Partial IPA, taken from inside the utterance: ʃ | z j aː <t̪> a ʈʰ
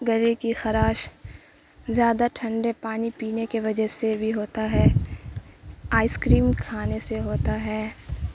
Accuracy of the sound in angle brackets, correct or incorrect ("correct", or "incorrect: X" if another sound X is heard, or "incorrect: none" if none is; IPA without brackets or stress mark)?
incorrect: d̪